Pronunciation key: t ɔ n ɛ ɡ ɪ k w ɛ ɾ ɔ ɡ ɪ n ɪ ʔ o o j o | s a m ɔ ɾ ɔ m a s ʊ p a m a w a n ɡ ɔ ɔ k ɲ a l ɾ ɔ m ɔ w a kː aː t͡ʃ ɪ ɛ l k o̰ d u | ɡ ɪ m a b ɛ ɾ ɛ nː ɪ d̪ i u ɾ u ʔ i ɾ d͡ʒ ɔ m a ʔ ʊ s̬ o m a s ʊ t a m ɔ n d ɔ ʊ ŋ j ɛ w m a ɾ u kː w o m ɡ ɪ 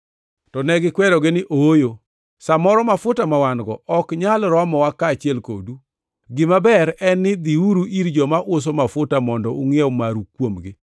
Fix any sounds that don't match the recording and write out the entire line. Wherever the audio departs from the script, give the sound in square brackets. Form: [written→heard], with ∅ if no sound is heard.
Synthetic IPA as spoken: t ɔ n ɛ ɡ ɪ k w ɛ ɾ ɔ ɡ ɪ n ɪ ʔ o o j o | s a m ɔ ɾ ɔ m a [s→f] ʊ [p→t] a m a w a n ɡ ɔ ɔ k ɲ a l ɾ ɔ m ɔ w a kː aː t͡ʃ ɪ ɛ l k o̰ d u | ɡ ɪ m a b ɛ ɾ ɛ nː ɪ d̪ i u ɾ u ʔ i ɾ d͡ʒ ɔ m a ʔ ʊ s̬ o m a [s→f] ʊ t a m ɔ n d ɔ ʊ ŋ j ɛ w m a ɾ u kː w o m ɡ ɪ